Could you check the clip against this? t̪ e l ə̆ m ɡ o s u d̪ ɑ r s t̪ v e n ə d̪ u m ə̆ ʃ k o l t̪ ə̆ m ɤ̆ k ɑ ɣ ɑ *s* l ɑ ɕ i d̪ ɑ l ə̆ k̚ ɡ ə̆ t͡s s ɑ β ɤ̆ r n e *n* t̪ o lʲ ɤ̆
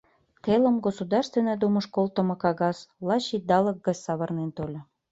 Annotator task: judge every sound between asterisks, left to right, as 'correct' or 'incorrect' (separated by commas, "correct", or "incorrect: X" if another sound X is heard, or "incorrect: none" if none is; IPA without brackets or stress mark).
correct, correct